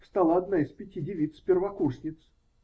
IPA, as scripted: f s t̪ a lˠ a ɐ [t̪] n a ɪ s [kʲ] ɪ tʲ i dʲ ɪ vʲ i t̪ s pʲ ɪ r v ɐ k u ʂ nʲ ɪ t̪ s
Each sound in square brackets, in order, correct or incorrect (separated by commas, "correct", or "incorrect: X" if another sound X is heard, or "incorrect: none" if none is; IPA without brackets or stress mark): incorrect: d̪, incorrect: pʲ